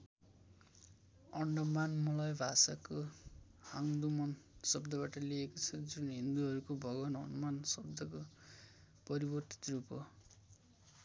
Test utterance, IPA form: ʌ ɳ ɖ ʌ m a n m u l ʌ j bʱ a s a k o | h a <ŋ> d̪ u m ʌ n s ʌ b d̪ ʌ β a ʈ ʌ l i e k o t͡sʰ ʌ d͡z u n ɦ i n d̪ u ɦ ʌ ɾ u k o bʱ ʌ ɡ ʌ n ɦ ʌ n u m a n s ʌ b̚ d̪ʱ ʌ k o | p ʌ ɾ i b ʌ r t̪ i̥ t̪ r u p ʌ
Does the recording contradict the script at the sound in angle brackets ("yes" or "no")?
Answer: no